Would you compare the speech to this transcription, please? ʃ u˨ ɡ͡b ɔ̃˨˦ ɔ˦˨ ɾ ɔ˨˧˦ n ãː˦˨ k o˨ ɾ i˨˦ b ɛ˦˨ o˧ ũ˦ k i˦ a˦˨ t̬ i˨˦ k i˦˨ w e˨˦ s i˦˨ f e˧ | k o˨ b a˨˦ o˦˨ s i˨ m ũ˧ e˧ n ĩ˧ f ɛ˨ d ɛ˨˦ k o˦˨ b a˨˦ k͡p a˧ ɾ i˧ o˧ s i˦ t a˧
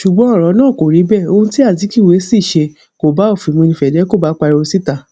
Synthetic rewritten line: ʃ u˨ ɡ͡b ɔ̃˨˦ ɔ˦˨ ɾ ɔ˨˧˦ n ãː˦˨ k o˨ ɾ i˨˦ b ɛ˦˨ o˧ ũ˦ t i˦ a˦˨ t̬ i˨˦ k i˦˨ w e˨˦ s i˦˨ ʃ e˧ | k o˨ b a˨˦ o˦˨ f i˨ m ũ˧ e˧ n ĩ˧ f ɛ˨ d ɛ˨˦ k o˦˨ b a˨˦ k͡p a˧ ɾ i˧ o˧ s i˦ t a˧

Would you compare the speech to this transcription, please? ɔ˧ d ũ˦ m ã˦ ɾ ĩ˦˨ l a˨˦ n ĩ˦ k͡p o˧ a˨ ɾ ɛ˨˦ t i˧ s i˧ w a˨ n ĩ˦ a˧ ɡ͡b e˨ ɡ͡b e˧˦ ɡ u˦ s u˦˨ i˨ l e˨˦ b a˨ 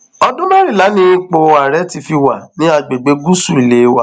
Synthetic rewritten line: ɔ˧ d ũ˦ m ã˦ ɾ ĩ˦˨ l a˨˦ n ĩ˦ k͡p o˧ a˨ ɾ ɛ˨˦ t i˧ f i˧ w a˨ n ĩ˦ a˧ ɡ͡b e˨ ɡ͡b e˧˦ ɡ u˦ s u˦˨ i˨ l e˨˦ w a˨

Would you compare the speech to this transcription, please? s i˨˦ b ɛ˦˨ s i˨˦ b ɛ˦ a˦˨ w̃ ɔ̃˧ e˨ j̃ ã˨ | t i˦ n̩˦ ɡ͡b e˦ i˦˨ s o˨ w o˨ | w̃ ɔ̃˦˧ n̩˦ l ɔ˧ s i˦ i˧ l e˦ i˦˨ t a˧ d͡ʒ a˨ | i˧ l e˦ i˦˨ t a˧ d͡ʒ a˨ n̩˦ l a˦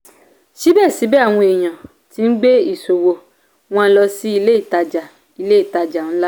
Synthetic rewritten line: ʃ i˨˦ b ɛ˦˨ s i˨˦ b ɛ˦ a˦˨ w̃ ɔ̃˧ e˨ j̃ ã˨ | t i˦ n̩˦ ɡ͡b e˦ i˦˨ s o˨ w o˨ | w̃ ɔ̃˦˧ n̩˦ l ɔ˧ s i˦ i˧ l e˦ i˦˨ t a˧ d͡ʒ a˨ | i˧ l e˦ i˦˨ t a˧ d͡ʒ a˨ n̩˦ l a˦

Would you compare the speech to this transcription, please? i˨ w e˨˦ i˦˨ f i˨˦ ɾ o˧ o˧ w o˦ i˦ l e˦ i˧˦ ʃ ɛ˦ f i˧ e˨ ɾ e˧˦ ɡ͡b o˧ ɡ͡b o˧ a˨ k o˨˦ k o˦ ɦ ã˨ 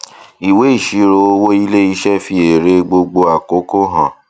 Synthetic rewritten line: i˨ w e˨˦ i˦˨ ʃ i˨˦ ɾ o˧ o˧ w o˦ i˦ l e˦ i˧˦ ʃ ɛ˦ f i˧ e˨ ɾ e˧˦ ɡ͡b o˧ ɡ͡b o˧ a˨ k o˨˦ k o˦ ɦ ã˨

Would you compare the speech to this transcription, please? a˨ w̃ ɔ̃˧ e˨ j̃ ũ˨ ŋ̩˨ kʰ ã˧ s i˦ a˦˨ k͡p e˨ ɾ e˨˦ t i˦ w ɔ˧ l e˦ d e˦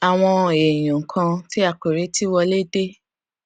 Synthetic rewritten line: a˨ w̃ ɔ̃˧ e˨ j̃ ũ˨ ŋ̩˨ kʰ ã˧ t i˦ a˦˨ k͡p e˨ ɾ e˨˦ t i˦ w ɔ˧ l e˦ d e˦

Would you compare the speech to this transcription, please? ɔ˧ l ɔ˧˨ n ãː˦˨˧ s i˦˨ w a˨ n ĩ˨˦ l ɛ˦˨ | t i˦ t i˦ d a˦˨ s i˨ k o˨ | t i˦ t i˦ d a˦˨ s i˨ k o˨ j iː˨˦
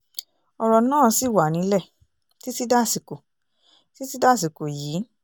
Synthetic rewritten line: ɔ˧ ɾ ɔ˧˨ n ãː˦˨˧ s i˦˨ w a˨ n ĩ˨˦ l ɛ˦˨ | t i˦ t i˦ d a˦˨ s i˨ k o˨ | t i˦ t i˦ d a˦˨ s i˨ k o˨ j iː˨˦

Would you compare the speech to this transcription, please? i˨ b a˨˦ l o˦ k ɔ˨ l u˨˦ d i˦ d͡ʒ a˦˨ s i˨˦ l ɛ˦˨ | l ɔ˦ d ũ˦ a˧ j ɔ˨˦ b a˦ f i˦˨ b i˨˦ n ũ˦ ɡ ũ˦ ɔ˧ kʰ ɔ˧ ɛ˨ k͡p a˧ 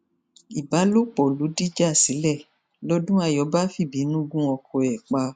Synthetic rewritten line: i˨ b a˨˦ l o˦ k͡p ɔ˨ l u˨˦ d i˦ d͡ʒ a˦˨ s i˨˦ l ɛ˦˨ | l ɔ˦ d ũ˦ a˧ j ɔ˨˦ b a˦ f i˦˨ b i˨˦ n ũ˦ ɡ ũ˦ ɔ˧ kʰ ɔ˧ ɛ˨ k͡p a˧

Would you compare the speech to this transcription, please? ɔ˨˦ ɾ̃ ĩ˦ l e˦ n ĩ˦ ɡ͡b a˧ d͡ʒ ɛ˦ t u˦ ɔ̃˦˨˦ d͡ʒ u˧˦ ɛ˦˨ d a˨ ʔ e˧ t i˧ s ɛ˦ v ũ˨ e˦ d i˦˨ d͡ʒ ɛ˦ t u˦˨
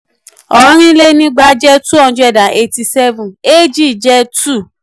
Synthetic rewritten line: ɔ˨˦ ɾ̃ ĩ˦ l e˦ n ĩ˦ ɡ͡b a˧ d͡ʒ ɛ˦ t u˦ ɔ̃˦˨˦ d͡ʒ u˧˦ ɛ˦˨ d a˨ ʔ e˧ t i˧ s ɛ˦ v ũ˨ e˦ d͡ʒ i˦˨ d͡ʒ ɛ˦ t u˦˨

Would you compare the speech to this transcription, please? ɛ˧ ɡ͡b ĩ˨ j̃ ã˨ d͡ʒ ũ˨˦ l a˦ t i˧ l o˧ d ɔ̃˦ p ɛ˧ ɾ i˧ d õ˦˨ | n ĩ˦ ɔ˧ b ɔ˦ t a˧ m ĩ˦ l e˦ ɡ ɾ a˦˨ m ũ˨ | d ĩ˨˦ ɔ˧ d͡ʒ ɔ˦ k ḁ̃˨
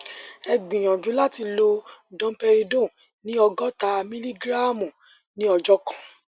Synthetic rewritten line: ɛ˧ ɡ͡b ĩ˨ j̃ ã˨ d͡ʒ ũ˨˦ l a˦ t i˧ l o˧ d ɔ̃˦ p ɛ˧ ɾ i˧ d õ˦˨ | n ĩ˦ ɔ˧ ɡ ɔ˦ t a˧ m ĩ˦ l i˦ ɡ ɾ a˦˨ m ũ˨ | n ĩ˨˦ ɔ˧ d͡ʒ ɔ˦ k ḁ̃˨

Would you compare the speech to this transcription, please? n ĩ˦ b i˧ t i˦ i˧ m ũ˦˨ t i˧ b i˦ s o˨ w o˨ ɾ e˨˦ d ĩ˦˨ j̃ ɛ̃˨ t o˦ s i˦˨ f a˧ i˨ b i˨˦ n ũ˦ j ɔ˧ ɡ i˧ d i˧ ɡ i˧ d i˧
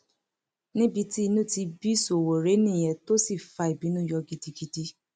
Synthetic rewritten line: n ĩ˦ b i˧ t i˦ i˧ n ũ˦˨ t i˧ b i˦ s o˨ w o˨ ɾ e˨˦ n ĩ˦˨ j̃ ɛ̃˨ t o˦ s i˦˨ f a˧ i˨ b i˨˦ n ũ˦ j ɔ˧ ɡ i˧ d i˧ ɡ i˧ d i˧

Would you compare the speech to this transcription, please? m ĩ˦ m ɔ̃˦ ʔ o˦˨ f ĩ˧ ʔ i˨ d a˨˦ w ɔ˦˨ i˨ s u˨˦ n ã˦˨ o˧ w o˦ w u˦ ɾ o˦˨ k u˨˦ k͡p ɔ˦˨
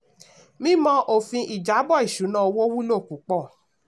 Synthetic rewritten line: m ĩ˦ m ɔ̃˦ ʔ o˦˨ f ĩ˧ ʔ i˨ d͡ʒ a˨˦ b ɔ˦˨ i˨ ʃ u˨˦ n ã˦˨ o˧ w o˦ w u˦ l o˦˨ k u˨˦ k͡p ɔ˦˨

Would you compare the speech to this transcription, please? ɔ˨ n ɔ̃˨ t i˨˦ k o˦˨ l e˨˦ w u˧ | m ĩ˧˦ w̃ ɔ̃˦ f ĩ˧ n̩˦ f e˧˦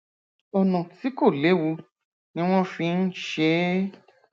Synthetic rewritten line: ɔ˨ n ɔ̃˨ t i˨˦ k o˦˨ l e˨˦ w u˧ | n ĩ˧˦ w̃ ɔ̃˦ f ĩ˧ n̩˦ ʃ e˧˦

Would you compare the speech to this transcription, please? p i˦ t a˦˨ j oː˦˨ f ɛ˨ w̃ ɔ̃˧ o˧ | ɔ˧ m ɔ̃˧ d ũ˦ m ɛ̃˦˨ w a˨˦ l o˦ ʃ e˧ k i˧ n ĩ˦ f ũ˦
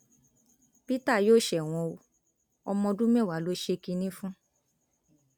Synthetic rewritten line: p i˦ t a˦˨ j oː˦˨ ʃ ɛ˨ w̃ ɔ̃˧ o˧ | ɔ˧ m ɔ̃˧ d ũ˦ m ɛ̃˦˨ w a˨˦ l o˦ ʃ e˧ k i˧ n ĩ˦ f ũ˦

